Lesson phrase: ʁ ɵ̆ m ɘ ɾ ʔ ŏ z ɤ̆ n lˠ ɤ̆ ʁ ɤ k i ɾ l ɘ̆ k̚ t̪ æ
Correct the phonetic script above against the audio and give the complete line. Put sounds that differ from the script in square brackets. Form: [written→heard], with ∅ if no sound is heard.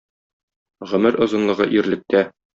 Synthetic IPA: ʁ ɵ̆ m ɘ ɾ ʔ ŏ z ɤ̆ n lˠ ɤ̆ ʁ ɤ [k→ʔ] i ɾ l ɘ̆ k̚ t̪ æ